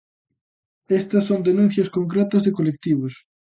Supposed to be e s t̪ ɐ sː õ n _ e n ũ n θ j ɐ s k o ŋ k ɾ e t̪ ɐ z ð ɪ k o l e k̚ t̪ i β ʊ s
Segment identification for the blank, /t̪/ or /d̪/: d̪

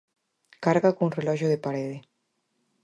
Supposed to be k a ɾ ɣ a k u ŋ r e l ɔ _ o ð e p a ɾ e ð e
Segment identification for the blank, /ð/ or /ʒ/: ʒ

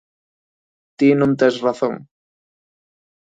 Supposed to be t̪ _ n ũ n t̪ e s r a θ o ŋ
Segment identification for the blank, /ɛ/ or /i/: i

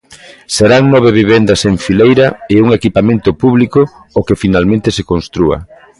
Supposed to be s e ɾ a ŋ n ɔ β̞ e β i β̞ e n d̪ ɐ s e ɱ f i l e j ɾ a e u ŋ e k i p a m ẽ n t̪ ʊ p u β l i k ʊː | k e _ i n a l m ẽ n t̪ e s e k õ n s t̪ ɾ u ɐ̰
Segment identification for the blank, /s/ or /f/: f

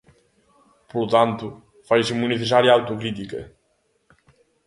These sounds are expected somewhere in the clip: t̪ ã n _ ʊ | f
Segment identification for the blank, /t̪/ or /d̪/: t̪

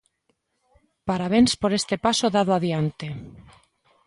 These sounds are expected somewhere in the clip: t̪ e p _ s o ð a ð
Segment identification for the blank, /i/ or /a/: a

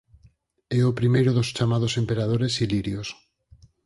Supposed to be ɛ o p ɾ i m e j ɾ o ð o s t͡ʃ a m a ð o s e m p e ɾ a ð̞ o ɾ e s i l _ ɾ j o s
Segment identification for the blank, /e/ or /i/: i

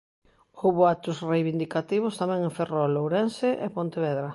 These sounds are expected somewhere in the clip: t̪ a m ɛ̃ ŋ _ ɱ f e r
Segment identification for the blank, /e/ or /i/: e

